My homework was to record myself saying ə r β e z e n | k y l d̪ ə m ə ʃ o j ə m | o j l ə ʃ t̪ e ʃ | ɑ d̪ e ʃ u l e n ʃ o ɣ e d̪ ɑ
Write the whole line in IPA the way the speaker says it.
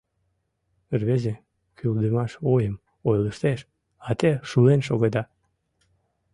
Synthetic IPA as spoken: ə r β e z e | k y l d̪ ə m ɑ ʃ o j ə m | o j l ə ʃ t̪ e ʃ | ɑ t̪ e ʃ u l e n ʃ o ɣ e d̪ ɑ